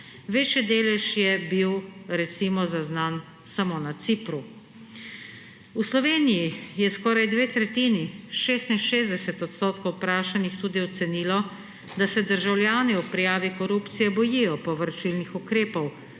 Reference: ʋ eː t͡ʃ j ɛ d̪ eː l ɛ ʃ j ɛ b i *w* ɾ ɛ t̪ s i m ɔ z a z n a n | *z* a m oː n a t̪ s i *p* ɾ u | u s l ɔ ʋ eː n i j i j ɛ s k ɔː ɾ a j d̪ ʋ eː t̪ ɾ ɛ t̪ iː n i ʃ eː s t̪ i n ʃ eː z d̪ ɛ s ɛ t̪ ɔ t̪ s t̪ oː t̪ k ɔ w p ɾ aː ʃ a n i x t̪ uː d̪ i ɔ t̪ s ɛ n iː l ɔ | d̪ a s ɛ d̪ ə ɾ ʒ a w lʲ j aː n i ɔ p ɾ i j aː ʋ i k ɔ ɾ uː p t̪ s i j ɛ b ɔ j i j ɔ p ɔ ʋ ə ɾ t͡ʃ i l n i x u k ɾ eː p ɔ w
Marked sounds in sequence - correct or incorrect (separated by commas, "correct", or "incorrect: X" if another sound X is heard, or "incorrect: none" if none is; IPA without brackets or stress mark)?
correct, incorrect: s, correct